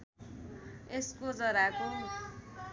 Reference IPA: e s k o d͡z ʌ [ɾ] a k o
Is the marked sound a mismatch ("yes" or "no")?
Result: no